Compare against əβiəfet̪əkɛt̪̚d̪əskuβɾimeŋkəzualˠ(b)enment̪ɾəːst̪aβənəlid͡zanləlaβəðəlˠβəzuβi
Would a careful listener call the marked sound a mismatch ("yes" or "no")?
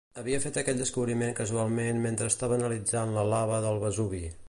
yes